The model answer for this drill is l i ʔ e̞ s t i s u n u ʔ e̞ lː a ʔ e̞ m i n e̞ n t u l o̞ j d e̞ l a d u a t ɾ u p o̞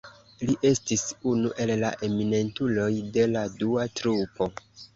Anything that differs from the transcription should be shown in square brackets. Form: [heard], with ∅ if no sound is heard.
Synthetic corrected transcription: l i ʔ e̞ s t i s u n u ʔ e̞ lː a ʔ e̞ m i n e̞ n t u l o̞ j d e̞ l a d u a t ɾ u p o̞